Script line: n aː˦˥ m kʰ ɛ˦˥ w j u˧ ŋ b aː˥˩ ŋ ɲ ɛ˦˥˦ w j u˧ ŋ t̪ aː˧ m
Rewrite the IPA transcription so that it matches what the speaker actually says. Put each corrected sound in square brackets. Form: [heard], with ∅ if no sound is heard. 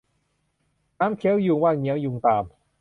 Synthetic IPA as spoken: n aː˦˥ m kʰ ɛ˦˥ w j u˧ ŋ [w] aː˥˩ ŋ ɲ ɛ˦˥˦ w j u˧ ŋ t̪ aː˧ m